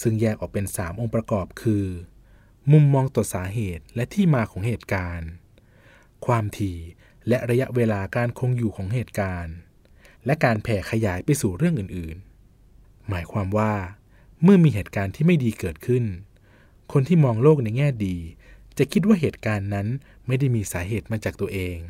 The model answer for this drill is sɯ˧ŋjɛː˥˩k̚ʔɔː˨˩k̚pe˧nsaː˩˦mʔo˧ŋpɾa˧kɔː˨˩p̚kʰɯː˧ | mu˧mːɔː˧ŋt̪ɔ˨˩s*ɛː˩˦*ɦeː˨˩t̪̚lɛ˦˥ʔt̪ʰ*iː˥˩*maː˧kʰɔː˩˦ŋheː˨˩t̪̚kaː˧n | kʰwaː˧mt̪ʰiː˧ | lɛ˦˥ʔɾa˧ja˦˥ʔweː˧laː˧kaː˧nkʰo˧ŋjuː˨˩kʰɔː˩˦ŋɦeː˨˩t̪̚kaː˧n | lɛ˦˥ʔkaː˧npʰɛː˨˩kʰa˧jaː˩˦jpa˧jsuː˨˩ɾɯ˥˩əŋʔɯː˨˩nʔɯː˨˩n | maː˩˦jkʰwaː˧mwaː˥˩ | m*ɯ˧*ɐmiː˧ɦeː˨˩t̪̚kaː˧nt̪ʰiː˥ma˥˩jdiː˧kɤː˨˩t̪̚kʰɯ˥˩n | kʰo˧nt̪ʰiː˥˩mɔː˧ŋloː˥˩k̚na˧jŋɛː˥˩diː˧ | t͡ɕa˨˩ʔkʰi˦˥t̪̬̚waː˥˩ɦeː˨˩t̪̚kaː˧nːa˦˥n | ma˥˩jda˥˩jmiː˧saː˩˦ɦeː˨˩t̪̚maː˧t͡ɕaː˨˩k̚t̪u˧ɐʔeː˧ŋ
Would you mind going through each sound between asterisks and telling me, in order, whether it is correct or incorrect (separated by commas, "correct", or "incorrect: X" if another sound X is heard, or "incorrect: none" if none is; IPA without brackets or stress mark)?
incorrect: aː˩˦, correct, incorrect: ɯ˥˩